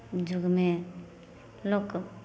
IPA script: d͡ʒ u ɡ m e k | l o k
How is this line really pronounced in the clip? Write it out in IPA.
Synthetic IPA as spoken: d͡ʒ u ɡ m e | l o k